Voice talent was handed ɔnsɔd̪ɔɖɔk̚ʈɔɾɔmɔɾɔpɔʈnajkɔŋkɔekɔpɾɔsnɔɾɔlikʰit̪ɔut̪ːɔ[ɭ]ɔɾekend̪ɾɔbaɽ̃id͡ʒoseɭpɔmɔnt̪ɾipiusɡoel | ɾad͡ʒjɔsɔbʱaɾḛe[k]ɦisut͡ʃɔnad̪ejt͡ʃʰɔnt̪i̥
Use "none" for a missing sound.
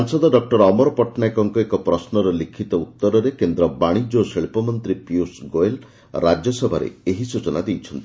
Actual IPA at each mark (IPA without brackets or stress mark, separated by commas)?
ɾ, none